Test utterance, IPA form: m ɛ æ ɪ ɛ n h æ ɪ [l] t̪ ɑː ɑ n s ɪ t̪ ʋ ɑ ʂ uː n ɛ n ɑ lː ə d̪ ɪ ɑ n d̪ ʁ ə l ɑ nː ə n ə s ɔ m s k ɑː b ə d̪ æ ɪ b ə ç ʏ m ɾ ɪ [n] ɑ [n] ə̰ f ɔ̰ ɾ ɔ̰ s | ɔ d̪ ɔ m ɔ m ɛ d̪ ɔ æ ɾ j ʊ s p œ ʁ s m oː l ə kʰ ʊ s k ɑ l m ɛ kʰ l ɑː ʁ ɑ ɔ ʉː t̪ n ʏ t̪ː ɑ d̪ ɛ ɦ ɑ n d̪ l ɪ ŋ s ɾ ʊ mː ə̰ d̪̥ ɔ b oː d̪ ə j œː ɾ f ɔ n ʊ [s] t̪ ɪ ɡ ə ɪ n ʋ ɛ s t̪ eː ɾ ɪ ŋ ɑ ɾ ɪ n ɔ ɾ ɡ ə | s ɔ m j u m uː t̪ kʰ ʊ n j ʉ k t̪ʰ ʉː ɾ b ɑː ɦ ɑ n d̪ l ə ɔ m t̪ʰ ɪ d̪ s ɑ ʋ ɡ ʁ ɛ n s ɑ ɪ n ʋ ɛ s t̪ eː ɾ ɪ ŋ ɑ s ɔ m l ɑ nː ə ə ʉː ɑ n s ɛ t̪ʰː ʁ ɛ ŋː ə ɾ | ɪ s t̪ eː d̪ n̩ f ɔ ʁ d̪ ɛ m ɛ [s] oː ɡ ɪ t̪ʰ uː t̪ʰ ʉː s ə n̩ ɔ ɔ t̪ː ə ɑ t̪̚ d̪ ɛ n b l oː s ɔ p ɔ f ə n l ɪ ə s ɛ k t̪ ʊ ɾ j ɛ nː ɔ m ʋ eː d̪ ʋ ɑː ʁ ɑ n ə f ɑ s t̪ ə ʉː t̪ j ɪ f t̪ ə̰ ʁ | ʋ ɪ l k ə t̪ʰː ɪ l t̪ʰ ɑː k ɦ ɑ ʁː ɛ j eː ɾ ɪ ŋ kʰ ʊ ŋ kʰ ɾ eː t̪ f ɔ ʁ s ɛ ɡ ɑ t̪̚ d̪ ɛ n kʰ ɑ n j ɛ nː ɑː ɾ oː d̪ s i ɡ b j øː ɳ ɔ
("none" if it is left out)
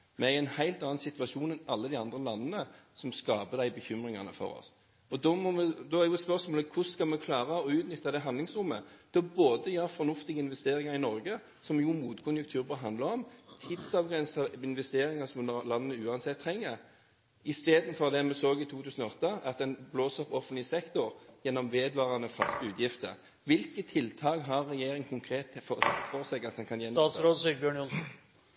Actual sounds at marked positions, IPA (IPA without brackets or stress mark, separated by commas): l, ŋ, n, f, s